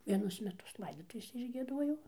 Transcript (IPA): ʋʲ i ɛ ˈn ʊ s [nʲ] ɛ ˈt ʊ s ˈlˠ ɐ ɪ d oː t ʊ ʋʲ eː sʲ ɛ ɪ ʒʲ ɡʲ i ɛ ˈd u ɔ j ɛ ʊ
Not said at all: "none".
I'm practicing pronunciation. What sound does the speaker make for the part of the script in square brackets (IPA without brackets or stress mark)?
mʲ